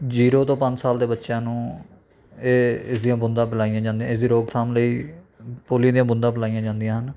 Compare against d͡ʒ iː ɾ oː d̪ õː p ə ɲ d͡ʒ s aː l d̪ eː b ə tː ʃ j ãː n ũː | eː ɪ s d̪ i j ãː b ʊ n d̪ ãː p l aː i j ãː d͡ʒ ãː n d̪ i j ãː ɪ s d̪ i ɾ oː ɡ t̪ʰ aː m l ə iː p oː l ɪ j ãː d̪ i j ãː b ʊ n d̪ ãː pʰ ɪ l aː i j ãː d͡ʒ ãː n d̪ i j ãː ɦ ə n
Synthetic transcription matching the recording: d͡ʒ iː ɾ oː t̪ õː p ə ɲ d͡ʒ s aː l d̪ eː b ə tː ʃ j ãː n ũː | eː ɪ s d̪ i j ãː b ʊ n d̪ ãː p l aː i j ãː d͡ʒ ãː n d̪ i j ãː ɪ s d̪ iː ɾ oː ɡ t̪ʰ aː m l ə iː p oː l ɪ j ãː d̪ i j ãː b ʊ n d̪ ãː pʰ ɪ l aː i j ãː d͡ʒ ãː n d̪ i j ãː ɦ ə n